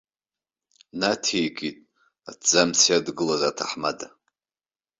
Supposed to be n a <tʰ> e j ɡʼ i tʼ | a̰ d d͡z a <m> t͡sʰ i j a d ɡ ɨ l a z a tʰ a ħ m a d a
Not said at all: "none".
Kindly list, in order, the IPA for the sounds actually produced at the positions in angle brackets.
tʰ, m

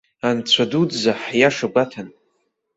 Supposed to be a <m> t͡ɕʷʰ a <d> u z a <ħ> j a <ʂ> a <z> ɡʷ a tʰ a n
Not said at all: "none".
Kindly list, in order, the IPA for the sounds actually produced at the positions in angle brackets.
n, d, ħ, ʂ, none

